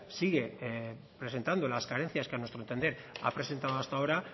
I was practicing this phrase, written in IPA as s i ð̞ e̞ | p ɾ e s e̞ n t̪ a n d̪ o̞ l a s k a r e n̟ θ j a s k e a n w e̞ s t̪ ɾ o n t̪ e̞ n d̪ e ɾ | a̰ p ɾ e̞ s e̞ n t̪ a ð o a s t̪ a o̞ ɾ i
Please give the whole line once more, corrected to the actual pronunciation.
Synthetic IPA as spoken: s i ɣ̞ e̞ | p ɾ e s e̞ n t̪ a n d̪ o̞ l a s k a ɾ e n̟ θ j a s k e a n w e̞ s t̪ ɾ o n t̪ e̞ n d̪ e ɾ | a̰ p ɾ e̞ s e̞ n t̪ a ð o a s t̪ a o̞ ɾ a